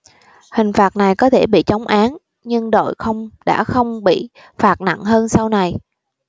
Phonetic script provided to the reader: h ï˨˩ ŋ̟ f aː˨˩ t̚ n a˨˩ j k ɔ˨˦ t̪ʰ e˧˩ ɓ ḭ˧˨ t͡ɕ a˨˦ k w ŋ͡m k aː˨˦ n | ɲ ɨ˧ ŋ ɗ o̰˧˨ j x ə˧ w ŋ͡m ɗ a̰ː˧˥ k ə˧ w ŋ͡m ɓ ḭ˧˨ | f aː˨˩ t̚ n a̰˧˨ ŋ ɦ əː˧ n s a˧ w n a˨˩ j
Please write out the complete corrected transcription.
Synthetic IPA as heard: h ï˨˩ ŋ̟ f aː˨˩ t̚ n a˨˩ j k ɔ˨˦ t̪ʰ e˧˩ ɓ ḭ˧˨ t͡ɕ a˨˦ w ŋ͡m ʔ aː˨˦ n | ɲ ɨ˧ ŋ ɗ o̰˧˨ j x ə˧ w ŋ͡m ɗ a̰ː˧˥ x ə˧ w ŋ͡m ɓ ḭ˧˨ | f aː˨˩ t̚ n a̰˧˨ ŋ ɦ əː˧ n s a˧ w n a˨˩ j

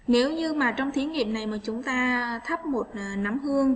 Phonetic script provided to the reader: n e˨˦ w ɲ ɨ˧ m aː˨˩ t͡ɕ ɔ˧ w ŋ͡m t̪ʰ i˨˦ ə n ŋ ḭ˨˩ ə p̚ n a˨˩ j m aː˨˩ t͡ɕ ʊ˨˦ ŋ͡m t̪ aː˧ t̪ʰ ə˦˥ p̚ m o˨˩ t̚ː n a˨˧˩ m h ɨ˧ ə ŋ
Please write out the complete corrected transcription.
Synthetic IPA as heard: n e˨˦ w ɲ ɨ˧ m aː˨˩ t͡ɕ ɔ˧ w ŋ͡m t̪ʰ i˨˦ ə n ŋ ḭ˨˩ ə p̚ n a˨˩ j m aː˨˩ t͡ɕ ʊ˨˦ ŋ͡m t̪ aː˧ t̪ʰ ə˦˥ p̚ m o˨˩ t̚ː n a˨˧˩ m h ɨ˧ ə ŋ

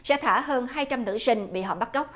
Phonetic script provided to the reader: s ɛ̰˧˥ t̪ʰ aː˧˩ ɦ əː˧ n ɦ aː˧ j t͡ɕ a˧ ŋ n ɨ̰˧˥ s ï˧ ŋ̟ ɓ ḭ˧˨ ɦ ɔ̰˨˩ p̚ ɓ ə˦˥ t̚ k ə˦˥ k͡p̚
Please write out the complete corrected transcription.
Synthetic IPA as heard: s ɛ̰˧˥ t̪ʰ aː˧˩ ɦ əː˧ n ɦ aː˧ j t͡ɕ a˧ m n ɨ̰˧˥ s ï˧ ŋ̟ ɓ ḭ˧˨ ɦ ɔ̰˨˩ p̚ ɓ a˦˥ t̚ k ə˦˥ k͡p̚

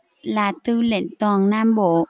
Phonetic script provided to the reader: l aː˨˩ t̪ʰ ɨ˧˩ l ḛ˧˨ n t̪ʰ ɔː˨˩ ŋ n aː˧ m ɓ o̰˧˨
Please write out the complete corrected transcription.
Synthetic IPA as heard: l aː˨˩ t̪ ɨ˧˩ l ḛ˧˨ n t̪ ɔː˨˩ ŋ n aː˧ m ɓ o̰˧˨

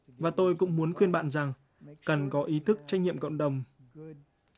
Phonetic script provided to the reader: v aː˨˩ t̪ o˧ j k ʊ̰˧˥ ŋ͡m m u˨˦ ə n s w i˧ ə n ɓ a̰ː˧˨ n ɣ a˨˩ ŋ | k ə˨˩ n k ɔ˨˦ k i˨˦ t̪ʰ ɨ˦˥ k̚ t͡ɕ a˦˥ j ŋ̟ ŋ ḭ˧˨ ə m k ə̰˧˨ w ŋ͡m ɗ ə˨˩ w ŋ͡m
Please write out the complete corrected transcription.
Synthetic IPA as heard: v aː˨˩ t̪ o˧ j k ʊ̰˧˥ ŋ͡m m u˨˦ ə n x w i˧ ə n ɓ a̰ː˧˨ n z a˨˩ ŋ | k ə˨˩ n k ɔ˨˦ ʔ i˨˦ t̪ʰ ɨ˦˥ k̚ t͡ɕ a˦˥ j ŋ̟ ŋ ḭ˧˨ ə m k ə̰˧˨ w ŋ͡m ɗ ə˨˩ w ŋ͡m

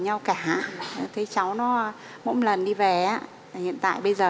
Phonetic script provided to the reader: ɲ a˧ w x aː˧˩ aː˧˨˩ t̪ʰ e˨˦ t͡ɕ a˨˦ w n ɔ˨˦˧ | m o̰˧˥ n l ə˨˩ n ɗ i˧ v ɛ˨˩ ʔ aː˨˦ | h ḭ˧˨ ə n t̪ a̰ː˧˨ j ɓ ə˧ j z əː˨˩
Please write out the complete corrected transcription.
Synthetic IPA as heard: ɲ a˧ w k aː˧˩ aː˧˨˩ t̪ʰ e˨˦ t͡ɕ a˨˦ w n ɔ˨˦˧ | m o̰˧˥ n l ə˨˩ n ɗ i˧ v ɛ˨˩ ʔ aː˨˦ | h ḭ˧˨ ə n t̪ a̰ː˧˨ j ɓ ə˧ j z əː˨˩

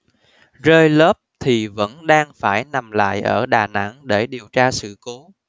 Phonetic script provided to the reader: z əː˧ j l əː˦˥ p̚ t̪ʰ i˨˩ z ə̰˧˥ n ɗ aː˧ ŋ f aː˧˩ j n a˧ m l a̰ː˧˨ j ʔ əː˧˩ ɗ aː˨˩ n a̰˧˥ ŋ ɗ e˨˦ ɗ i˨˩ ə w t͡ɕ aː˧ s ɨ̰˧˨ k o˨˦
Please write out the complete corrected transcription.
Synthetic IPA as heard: z əː˧ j l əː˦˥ p̚ t̪ʰ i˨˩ v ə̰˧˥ n ɗ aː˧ ŋ f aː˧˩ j n a˨˩ m l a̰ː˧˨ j ʔ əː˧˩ ɗ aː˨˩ n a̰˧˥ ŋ ɗ e˧˩ ɗ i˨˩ ə w t͡ɕ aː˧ s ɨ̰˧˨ k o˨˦

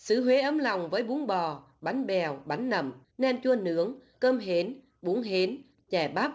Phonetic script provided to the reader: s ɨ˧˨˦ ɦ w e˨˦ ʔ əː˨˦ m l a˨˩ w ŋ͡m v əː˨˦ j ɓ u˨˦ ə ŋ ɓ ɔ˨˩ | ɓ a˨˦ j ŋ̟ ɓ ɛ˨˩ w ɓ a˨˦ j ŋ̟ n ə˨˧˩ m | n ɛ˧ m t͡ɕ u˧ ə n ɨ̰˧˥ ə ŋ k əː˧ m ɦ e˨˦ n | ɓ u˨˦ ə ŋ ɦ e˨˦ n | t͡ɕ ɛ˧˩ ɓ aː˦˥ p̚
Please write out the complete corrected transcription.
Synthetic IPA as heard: s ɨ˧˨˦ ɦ w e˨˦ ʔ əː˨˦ m l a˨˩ w ŋ͡m v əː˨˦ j ɓ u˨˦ ə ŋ ɓ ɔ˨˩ | ɓ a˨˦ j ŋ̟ ɓ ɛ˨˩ w ɓ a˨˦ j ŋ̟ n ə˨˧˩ m | n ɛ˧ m t͡ɕ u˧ ə n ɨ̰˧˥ ə ŋ k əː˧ m ɦ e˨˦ n | ɓ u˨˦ ə ŋ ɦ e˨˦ n | t͡ɕ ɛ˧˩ ɓ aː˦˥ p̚

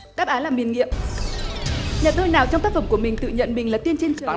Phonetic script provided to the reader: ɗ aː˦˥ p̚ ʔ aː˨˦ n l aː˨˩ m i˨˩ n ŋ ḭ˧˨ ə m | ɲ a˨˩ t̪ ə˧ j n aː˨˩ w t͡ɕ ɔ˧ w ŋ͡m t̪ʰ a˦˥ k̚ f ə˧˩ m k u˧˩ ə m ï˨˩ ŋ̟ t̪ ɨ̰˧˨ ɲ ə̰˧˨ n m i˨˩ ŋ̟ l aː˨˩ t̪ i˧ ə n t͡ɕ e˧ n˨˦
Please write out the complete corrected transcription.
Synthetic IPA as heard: ɗ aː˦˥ p̚ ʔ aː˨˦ n l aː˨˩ m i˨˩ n ŋ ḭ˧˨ ə m | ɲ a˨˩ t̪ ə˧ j n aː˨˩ w t͡ɕ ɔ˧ w ŋ͡m t̪ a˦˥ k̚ f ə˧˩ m k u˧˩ ə m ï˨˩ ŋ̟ t̪ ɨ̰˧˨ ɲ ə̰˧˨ n m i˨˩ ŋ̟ l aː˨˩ t̪ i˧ ə n t͡ɕ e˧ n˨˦

